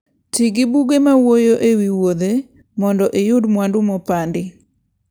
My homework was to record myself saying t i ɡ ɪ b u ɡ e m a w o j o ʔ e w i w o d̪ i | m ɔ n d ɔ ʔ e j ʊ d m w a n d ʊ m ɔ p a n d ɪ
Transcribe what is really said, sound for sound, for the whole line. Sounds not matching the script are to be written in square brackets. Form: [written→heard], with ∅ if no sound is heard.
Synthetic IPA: t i ɡ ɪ b u ɡ e m a w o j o ʔ e w i w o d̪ [i→e] | m ɔ n d ɔ ʔ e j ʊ d m w a n d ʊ m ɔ p a n d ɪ